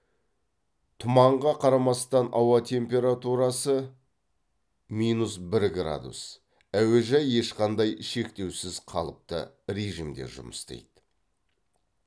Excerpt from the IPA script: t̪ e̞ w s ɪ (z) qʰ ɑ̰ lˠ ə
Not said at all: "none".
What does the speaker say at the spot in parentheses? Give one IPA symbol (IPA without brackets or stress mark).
z